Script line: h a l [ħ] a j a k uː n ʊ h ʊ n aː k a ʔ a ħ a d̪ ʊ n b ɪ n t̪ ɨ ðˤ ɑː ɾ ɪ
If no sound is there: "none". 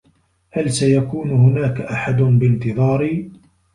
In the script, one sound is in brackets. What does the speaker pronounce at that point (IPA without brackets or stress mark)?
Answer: s